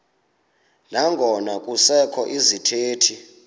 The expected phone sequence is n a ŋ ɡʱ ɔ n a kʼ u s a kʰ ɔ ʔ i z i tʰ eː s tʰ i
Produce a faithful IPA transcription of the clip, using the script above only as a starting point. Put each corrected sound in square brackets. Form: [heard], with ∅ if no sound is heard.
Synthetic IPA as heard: n a ŋ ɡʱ ɔ n a kʼ u s [ɛ] kʰ ɔ ʔ i z i tʰ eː [∅] tʰ i